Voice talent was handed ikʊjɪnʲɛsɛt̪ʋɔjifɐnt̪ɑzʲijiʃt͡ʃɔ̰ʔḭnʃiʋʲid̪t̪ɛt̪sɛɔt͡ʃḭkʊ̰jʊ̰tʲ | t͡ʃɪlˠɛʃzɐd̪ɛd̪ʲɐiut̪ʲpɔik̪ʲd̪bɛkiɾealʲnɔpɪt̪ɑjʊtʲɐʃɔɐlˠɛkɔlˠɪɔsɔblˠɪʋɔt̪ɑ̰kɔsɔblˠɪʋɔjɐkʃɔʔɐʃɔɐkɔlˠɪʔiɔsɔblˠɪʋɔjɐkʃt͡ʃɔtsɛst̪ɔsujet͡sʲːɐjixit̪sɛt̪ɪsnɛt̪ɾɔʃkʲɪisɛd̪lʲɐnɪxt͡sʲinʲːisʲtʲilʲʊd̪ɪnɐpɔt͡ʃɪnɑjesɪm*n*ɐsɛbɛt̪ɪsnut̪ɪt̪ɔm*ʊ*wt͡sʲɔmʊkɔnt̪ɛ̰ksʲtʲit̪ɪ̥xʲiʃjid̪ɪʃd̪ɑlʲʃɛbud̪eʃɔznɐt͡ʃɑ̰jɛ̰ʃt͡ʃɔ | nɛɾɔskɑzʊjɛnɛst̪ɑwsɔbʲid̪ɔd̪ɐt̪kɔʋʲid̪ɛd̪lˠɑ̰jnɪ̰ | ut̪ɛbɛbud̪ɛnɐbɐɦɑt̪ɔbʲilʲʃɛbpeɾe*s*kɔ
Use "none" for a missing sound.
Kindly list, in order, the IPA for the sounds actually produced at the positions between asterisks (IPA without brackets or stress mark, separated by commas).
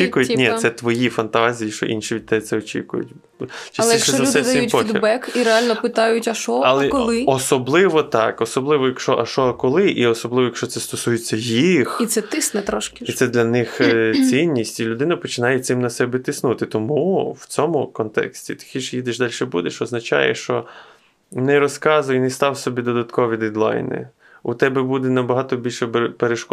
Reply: n, u, ʃ